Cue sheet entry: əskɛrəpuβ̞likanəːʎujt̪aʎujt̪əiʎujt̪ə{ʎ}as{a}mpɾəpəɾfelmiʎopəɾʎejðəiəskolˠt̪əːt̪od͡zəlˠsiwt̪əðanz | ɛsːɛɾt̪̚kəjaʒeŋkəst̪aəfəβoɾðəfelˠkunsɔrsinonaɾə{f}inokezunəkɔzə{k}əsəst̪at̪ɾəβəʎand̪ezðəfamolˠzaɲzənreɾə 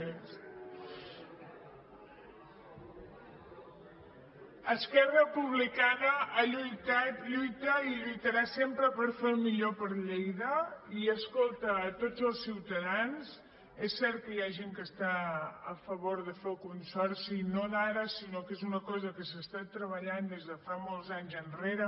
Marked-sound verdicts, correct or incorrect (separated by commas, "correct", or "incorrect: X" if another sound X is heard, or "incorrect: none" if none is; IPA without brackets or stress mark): incorrect: ɾ, incorrect: e, incorrect: s, correct